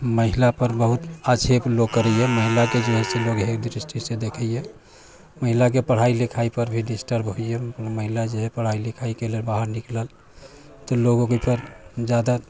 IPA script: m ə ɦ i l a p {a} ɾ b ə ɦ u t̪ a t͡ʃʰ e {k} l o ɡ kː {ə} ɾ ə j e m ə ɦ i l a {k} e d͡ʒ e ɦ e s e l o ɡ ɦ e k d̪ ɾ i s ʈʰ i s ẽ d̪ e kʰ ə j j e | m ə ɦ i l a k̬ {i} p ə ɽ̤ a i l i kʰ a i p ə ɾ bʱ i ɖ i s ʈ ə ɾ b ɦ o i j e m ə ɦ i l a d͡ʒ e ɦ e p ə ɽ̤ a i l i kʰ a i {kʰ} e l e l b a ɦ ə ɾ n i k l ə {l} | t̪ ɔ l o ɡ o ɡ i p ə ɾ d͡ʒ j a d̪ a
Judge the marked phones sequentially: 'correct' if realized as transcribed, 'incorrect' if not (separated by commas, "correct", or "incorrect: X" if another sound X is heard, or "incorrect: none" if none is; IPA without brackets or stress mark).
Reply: incorrect: ə, incorrect: p, correct, correct, incorrect: e, incorrect: k, correct